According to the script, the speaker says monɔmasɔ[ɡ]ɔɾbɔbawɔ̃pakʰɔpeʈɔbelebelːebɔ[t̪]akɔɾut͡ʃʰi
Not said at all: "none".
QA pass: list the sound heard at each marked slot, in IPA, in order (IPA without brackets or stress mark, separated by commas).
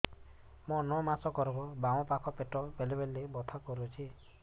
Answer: k, t̪ʰ